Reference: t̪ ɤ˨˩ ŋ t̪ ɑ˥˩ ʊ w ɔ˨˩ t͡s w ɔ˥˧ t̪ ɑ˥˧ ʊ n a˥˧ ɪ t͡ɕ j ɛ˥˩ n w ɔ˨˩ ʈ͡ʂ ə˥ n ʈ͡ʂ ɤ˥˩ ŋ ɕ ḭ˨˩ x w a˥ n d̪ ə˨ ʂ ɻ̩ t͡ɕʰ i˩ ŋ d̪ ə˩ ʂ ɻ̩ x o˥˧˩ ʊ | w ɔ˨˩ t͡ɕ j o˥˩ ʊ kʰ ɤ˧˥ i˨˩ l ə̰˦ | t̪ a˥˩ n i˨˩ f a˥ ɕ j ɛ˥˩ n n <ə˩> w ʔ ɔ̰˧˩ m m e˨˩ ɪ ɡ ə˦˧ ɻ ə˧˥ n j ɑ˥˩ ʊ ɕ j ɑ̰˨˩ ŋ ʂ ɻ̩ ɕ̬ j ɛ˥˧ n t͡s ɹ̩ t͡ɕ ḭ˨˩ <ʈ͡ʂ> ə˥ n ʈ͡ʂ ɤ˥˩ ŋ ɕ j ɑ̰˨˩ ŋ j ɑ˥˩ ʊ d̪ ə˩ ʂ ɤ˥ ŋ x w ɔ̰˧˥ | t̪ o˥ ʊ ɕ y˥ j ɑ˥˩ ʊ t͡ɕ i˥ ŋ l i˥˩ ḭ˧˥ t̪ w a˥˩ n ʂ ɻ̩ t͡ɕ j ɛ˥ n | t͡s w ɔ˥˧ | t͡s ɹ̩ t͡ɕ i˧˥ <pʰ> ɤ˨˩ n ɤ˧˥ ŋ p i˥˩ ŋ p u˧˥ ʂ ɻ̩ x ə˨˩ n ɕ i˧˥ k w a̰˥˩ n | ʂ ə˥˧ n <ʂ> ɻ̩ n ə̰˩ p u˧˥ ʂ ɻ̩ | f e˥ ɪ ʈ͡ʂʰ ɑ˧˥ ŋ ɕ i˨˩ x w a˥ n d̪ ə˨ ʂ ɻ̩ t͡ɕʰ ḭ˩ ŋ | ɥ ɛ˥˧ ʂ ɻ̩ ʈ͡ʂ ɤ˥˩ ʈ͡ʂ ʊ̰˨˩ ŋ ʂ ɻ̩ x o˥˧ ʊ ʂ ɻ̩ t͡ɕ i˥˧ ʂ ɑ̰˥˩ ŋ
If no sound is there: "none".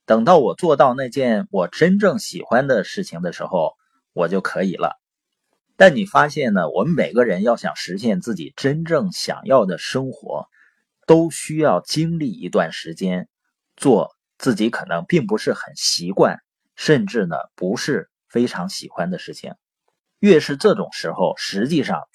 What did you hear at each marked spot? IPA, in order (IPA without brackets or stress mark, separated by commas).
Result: ə˩, ʈ͡ʂ, kʰ, ʈ͡ʂ